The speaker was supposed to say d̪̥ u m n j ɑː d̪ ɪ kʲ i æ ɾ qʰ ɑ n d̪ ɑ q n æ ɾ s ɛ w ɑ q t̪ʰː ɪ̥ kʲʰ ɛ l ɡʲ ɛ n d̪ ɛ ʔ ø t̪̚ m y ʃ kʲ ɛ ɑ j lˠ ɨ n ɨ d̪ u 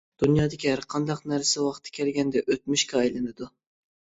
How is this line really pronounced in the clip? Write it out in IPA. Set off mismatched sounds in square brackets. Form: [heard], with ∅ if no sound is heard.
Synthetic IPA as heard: d̪̥ u [∅] n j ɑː d̪ ɪ kʲ i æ ɾ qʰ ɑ n d̪ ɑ q n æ ɾ s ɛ w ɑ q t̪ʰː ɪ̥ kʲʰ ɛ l ɡʲ ɛ n d̪ ɛ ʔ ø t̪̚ m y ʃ kʲ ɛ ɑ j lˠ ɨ n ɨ d̪ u